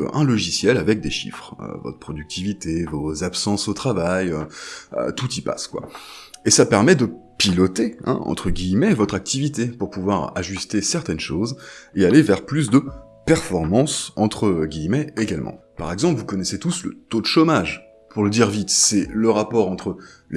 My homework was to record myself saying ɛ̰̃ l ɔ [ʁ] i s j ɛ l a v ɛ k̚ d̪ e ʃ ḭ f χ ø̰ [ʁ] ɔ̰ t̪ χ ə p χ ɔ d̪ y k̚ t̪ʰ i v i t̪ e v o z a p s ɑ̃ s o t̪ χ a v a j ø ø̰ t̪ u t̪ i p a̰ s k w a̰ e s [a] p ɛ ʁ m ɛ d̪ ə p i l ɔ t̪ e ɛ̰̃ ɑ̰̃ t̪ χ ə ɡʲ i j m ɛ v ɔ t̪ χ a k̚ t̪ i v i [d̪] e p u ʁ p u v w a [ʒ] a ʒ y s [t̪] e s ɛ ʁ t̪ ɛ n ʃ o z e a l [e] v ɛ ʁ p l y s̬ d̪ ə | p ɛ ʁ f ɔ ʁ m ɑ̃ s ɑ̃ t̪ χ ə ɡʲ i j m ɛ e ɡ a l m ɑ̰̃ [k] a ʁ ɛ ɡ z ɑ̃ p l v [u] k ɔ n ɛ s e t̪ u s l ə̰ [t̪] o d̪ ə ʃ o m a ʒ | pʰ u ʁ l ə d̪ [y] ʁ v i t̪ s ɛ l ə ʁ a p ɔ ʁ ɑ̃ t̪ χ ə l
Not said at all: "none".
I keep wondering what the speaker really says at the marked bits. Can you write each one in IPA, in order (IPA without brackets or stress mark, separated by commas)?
ʒ, v, a, t̪, ʁ, t̪, e, p, u, t̪, i